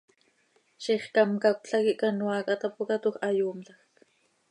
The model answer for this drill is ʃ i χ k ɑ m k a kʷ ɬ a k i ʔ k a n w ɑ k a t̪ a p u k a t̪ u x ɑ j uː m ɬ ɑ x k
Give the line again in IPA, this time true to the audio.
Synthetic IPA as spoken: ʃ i χ k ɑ m k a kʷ ɬ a k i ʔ k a n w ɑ k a t̪ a p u k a t̪ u x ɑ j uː m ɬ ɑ x k